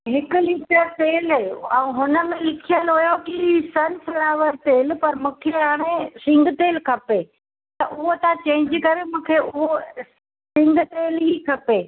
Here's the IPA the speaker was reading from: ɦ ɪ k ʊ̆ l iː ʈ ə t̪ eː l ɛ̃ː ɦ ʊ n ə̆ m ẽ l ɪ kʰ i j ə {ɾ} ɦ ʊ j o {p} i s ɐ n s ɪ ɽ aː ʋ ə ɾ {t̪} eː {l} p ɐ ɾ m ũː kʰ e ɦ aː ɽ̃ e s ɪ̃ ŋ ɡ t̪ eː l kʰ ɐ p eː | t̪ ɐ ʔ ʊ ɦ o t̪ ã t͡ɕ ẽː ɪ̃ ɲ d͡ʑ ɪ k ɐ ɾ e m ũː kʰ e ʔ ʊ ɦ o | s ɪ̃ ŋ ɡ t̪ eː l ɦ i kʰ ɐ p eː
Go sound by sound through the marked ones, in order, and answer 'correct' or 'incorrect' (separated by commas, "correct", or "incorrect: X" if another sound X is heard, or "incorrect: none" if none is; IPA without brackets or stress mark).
incorrect: l, incorrect: k, correct, correct